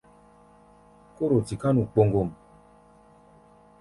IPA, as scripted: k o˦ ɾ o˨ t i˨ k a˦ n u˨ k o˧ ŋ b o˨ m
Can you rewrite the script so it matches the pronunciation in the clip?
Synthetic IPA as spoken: k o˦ ɾ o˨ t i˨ k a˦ n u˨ k͡p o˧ ŋ ɡ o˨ m